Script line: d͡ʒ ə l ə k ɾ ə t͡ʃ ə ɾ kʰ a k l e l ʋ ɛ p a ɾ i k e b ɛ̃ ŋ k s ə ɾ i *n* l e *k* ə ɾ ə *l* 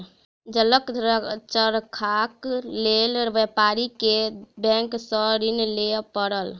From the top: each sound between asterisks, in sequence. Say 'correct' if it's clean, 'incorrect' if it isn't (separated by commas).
correct, incorrect, correct